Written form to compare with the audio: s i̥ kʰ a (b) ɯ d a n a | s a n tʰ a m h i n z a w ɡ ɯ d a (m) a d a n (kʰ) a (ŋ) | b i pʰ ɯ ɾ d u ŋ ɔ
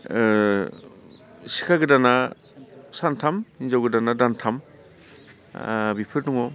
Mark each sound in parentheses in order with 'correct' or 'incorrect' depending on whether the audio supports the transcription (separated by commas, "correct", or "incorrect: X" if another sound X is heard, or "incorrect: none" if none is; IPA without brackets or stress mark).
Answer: incorrect: ɡ, incorrect: n, incorrect: tʰ, incorrect: m